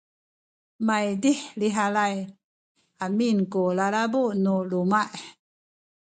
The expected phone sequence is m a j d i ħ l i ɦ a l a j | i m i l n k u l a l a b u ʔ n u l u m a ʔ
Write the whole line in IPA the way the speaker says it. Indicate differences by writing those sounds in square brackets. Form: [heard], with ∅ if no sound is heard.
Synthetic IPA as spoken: m a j d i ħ l i ɦ a l a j | [a] m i [∅] n k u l a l a b u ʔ n u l u m a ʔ